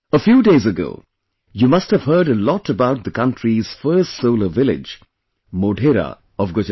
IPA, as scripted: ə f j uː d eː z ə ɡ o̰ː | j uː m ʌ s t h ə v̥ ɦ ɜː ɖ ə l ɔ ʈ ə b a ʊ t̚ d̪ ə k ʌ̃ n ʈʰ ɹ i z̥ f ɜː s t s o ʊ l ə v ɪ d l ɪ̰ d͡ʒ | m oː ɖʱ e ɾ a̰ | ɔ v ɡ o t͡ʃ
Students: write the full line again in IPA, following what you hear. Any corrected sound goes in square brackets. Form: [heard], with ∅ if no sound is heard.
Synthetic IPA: ə f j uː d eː z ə ɡ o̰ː | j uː m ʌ s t h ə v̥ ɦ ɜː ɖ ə l ɔ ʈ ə b a ʊ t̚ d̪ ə k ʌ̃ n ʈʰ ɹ i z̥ f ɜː s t s o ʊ l ə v ɪ [∅] l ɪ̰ d͡ʒ | m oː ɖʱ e ɾ a̰ | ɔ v ɡ o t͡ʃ